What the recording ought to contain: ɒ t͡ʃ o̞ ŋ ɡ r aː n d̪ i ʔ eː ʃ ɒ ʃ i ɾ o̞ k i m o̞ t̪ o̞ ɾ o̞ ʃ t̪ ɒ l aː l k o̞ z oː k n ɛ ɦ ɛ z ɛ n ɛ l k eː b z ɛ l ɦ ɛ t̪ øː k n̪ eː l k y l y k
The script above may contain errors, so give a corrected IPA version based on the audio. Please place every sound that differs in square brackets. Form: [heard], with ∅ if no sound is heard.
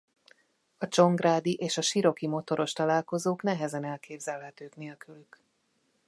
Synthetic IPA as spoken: ɒ t͡ʃ o̞ ŋ ɡ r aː [∅] d̪ i ʔ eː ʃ ɒ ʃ i ɾ o̞ k i m o̞ t̪ o̞ ɾ o̞ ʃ t̪ ɒ l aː l k o̞ z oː k n ɛ ɦ ɛ z ɛ n ɛ l k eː b z ɛ l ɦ ɛ t̪ øː k n̪ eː l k y l y k

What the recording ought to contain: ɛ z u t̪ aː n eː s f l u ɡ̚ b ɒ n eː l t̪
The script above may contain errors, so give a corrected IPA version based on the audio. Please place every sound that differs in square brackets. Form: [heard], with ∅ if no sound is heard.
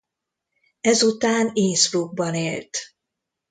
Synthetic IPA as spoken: ɛ z u t̪ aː n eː s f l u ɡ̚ b ɒ n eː l t̪

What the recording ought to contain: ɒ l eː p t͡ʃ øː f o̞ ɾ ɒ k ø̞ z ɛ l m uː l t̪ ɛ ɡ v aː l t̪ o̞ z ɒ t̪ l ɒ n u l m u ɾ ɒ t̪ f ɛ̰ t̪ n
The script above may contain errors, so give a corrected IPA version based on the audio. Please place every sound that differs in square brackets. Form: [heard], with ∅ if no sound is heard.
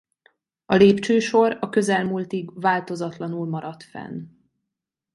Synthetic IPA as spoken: ɒ l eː p t͡ʃ øː [ʃ] o̞ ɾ ɒ k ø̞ z ɛ l m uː l t̪ [i] ɡ v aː l t̪ o̞ z ɒ t̪ l ɒ n u l m [ɒ] ɾ ɒ t̪ f ɛ̰ [∅] n

